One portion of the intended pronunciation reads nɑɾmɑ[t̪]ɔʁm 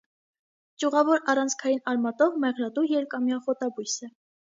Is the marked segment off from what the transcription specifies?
no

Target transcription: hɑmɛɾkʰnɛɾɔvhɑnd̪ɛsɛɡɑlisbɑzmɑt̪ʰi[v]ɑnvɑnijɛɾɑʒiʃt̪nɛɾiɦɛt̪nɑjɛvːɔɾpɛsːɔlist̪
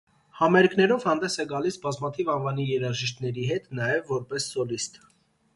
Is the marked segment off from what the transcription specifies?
no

